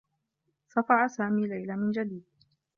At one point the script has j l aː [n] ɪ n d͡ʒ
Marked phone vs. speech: incorrect: m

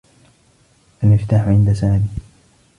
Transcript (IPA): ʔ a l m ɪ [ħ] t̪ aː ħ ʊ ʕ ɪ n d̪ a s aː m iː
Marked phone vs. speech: incorrect: f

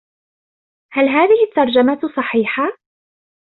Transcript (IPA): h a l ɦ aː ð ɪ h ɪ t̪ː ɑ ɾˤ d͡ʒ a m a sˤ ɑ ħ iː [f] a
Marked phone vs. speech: incorrect: ħ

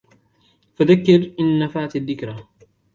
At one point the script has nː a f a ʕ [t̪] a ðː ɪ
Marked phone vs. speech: correct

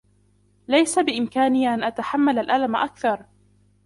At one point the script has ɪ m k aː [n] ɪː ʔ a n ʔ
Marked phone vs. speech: correct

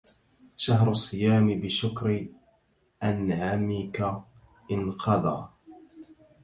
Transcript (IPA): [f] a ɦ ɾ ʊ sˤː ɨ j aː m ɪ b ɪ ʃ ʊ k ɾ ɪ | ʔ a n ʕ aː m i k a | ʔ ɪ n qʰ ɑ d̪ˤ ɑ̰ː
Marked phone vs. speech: incorrect: ʃ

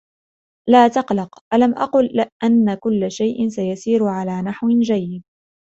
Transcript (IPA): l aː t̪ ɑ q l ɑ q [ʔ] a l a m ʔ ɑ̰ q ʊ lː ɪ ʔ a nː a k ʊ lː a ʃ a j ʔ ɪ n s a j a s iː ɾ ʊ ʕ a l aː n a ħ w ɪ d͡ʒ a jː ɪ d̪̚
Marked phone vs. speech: correct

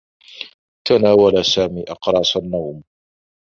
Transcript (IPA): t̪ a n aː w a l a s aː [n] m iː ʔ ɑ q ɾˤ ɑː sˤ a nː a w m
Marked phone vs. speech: incorrect: none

